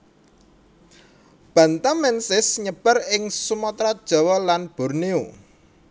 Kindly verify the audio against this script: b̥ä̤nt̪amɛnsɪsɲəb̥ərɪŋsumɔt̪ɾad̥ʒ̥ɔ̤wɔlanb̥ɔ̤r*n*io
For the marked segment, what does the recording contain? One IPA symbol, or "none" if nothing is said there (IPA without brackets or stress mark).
n